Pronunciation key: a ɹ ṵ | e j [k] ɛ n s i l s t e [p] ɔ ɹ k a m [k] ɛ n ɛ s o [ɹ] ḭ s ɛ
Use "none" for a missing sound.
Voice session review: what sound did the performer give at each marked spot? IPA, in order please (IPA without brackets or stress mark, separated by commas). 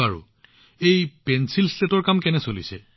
p, t, k, l